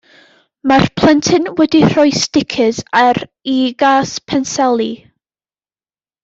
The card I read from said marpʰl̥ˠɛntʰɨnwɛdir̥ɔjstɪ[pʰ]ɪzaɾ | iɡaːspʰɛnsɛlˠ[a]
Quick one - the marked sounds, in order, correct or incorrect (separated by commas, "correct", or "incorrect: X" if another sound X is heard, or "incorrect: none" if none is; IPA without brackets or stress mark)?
incorrect: kʰ, incorrect: i